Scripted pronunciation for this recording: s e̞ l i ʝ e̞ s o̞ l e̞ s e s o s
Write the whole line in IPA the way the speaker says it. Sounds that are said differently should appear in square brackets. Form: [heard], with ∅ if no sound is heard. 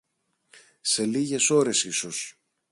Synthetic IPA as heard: s e̞ l i ʝ e̞ s o̞ [ɾ] e̞ s [i] s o s